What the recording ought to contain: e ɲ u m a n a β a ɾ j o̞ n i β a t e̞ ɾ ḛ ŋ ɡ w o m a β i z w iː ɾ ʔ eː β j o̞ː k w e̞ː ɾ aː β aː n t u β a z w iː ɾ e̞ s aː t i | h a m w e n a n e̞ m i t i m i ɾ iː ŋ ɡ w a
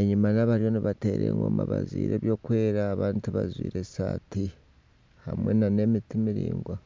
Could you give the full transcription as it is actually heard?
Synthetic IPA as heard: e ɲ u m a n a β a ɾ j o̞ n i β a t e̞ ɾ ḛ ŋ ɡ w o m a β a z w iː ɾ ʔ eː β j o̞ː k w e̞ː ɾ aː β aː n t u β a z w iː ɾ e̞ s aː t i | h a m w e n a n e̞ m i t i m i ɾ iː ŋ ɡ w a